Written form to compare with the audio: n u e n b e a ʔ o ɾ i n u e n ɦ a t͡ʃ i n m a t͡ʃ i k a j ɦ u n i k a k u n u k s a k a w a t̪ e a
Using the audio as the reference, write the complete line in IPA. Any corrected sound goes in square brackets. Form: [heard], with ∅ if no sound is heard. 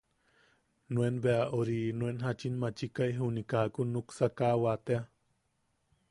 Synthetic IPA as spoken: n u e n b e a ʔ o ɾ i n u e n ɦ a t͡ʃ i n m a t͡ʃ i k a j ɦ u n i k a k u n u k s a k a w a t̪ e a